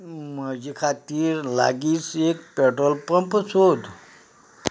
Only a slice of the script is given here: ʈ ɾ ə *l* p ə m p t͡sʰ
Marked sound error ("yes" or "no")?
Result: no